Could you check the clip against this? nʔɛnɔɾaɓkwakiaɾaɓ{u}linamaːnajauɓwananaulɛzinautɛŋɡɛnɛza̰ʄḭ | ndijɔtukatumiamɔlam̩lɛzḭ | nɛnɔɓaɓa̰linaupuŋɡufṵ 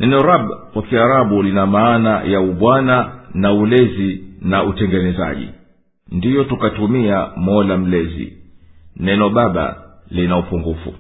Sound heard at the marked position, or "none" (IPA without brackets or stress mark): u